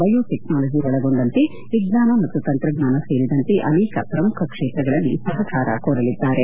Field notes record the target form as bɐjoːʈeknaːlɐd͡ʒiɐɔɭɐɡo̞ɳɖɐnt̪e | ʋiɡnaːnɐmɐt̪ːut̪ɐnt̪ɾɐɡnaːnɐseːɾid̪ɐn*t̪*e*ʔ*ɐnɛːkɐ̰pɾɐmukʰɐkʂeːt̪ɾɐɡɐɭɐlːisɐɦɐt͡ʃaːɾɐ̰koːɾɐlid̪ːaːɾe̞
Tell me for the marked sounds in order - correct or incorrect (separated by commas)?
correct, correct